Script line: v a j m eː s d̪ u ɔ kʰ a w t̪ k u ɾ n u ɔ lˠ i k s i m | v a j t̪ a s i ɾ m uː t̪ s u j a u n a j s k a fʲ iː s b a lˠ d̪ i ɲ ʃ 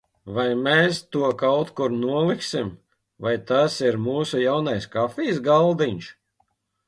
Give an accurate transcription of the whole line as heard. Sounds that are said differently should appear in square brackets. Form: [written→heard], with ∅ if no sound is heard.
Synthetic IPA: v a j m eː s [d̪→t̪] u ɔ [kʰ→k] a w t̪ k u ɾ n u ɔ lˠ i k s i m | v a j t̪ a s i ɾ m uː [t̪→∅] s u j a [u→w] n a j s k a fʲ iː s [b→ɡ] a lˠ d̪ i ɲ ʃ